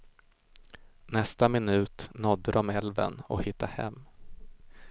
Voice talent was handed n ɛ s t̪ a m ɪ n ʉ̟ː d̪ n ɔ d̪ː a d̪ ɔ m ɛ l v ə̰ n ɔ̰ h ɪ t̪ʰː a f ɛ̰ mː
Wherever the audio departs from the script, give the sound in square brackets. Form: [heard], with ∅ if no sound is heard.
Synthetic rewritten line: n ɛ s t̪ a m ɪ n ʉ̟ː [t̪] n ɔ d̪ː [ə] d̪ ɔ m ɛ l v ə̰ n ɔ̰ h ɪ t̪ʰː a [h] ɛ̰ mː